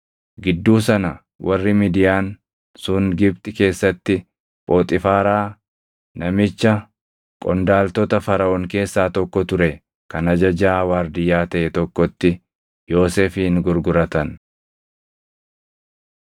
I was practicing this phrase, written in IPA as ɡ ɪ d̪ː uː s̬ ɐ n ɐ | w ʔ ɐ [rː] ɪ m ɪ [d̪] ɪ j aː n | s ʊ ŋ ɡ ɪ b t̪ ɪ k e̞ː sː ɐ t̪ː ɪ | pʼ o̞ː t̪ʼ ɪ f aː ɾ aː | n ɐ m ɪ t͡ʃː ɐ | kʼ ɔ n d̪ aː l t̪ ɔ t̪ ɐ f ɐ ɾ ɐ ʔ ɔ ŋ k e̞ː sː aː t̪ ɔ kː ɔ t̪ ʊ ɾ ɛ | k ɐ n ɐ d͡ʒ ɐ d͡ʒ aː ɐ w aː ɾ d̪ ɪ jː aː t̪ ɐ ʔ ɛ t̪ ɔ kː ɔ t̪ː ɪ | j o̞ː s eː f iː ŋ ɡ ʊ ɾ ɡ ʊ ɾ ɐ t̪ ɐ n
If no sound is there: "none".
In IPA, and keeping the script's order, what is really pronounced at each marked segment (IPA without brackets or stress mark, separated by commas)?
rː, d̪